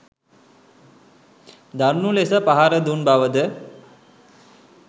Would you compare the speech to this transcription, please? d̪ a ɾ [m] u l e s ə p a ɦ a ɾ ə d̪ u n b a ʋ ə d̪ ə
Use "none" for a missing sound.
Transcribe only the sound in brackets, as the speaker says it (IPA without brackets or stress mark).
n